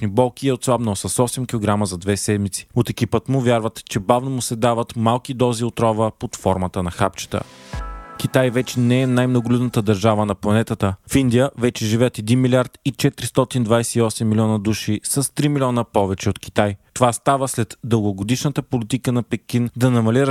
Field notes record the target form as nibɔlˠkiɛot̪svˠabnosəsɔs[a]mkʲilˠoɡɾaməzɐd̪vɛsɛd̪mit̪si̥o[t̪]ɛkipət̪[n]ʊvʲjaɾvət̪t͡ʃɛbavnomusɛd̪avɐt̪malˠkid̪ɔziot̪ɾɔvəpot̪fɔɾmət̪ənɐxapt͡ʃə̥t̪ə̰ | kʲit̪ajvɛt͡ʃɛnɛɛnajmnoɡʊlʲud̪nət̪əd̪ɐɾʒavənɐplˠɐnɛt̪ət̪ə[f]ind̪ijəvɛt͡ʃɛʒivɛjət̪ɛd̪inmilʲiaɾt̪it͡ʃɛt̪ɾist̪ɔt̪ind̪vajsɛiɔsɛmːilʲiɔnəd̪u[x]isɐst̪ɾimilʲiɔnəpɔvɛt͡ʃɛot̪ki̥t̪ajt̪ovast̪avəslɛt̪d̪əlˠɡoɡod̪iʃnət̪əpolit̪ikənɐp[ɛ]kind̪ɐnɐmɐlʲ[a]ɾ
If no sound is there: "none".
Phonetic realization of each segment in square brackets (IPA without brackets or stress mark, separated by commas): ɛ, t̪, m, f, ʃ, ɛ, i